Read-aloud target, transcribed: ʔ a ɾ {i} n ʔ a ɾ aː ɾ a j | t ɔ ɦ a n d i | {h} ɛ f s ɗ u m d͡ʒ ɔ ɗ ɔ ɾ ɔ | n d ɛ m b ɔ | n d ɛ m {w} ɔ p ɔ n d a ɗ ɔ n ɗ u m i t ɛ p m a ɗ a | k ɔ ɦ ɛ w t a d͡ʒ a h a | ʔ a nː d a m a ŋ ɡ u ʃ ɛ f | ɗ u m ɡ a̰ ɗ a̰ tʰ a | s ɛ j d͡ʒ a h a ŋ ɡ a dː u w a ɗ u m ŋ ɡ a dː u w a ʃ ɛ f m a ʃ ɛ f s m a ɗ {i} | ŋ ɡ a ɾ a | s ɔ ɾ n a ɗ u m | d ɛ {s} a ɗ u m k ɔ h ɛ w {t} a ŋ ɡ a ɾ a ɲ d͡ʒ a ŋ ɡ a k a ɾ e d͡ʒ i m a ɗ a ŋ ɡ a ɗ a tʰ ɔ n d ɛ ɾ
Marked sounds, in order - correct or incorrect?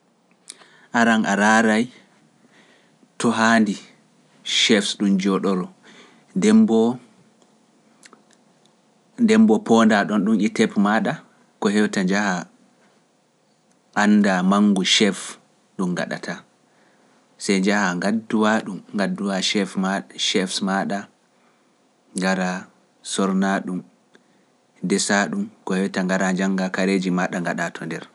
incorrect, incorrect, incorrect, incorrect, correct, correct

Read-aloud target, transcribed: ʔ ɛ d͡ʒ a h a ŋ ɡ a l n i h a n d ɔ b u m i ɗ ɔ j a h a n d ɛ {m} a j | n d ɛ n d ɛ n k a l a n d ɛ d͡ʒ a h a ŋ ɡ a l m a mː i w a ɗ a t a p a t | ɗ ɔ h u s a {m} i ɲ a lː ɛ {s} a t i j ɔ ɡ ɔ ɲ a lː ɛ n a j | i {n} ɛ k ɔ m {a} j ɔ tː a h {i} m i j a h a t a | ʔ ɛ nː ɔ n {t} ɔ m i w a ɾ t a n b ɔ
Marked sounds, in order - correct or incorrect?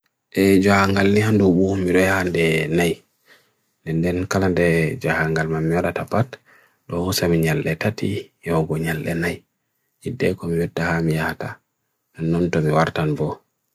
incorrect, correct, incorrect, incorrect, incorrect, incorrect, correct

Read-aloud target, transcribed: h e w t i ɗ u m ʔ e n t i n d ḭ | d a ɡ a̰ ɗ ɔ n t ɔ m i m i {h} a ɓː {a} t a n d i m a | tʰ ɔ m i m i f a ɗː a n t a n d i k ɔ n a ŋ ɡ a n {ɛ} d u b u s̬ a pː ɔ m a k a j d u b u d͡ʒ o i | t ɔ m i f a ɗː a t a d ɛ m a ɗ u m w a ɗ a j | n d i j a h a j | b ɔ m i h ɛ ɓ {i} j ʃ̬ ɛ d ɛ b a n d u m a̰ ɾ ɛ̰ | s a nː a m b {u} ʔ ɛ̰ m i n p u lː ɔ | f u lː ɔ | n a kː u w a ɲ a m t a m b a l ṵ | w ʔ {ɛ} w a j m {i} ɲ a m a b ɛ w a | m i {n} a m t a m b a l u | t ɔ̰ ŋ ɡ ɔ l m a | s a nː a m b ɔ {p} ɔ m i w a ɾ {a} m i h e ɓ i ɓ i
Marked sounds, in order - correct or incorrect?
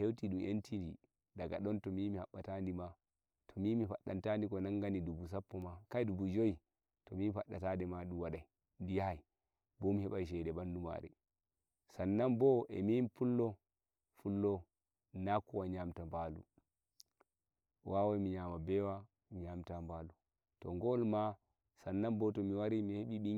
correct, correct, incorrect, incorrect, incorrect, incorrect, correct, incorrect, incorrect, incorrect

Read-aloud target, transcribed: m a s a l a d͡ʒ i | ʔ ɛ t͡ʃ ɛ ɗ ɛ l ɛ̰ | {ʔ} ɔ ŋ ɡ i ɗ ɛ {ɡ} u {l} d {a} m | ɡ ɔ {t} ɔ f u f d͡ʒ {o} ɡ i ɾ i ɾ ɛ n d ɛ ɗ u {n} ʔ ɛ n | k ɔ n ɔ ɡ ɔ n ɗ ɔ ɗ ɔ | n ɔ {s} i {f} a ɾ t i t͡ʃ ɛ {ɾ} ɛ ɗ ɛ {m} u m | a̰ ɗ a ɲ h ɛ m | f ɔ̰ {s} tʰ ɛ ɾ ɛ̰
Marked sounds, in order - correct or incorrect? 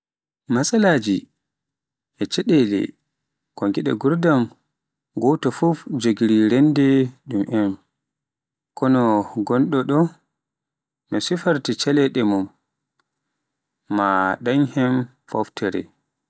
incorrect, correct, incorrect, correct, correct, correct, incorrect, correct, correct, incorrect, correct, incorrect

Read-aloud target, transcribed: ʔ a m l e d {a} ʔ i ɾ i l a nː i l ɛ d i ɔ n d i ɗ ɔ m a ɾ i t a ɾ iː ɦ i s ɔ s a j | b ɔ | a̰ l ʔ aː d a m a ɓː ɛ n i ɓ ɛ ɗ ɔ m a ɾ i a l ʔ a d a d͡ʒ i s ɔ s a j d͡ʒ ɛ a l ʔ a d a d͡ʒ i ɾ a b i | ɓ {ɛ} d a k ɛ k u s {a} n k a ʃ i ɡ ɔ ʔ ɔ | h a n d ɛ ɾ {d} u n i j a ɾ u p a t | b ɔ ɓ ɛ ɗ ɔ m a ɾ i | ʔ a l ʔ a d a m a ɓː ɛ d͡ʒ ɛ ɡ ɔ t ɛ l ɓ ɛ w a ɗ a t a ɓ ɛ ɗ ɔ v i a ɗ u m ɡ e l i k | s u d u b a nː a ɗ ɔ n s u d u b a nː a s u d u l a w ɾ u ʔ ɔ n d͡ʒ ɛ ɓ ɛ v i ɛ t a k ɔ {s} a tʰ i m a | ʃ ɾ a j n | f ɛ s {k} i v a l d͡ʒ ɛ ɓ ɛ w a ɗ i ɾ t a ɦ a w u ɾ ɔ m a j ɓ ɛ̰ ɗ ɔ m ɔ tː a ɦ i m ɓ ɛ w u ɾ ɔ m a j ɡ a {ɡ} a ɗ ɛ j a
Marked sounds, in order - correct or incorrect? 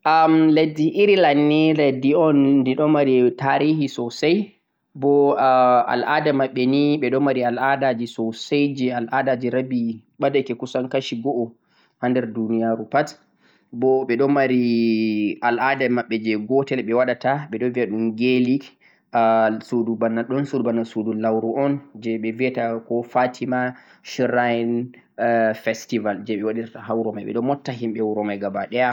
incorrect, incorrect, correct, correct, incorrect, incorrect, incorrect

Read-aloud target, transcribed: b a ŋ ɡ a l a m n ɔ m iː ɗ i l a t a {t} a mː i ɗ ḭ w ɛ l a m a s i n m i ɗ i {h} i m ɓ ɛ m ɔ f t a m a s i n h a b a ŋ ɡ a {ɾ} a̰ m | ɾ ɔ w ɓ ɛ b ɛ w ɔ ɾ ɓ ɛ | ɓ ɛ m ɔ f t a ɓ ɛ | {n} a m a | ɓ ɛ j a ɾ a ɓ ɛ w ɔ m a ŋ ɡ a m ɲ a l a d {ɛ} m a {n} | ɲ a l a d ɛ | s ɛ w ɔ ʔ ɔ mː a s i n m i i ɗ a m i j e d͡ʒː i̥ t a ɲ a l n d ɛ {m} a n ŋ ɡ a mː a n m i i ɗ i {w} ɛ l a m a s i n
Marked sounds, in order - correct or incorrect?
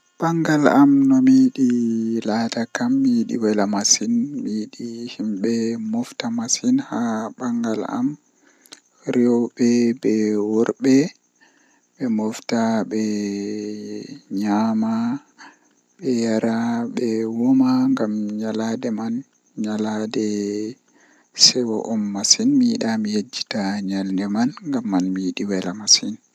incorrect, correct, incorrect, incorrect, correct, correct, correct, correct

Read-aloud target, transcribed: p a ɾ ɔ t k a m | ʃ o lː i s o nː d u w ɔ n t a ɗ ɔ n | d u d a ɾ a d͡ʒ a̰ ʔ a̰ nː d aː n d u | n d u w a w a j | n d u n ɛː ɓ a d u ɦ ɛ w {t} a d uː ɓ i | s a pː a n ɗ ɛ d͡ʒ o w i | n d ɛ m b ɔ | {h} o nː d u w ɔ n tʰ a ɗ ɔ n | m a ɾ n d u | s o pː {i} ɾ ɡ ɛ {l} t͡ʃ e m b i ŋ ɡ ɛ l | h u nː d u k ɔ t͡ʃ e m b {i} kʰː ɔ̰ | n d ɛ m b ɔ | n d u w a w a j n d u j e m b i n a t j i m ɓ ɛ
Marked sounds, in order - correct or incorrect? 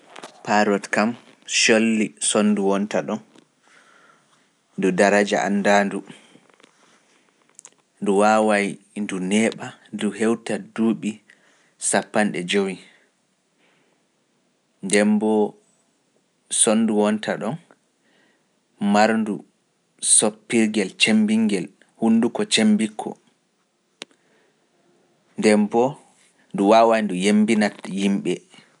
correct, incorrect, correct, correct, correct

